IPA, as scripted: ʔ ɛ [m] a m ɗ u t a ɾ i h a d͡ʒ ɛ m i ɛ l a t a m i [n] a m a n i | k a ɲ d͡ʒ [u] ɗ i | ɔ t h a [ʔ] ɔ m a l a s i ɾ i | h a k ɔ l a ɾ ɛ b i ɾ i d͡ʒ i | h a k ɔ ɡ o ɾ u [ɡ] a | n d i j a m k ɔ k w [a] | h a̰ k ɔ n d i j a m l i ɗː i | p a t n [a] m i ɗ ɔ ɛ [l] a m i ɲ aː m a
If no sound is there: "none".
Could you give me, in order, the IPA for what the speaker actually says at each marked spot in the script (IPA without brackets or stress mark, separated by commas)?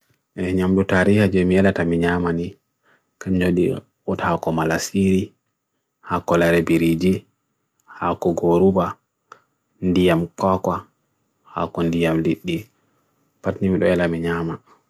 ɲ, ɲ, o, k, b, a, i, l